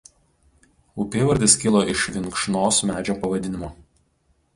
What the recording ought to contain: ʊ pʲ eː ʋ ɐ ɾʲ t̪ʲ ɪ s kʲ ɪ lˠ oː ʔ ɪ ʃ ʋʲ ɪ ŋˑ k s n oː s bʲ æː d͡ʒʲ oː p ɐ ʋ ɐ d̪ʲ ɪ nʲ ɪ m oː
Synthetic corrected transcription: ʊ pʲ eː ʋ ɐ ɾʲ d̪ʲ ɪ s kʲ ɪ lˠ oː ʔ ɪ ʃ ʋʲ ɪ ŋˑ k ʃ n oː s mʲ æː d͡ʒʲ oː p ɐ ʋ ɐ d̪ʲ ɪ nʲ ɪ m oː